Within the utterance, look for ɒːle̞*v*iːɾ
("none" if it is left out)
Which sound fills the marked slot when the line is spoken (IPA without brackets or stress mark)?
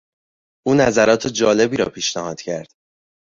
b